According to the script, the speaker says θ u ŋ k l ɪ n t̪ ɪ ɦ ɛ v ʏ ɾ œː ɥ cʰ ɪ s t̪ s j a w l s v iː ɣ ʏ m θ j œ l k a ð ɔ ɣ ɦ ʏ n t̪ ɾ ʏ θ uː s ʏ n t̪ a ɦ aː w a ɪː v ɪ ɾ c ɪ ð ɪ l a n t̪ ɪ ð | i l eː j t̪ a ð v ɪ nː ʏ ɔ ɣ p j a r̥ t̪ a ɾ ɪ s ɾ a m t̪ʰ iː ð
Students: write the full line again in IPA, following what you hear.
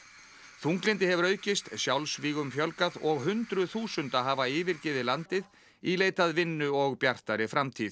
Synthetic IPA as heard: θ u ŋ k l ɪ n t̪ ɪ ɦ ɛ v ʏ ɾ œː ɥ c ɪ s t̪ s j a w l s v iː ɣ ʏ m f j œ l k a ð ɔ ɣ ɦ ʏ n t̪ ɾ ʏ θ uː s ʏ n t̪ a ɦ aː v a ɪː v ɪ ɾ c ɪ ð ɪ l a n t̪ ɪ ð | i l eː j t̪ a ð v ɪ nː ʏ ɔ ɣ p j a r̥ t̪ a ɾ ɪ f ɾ a m t̪ʰ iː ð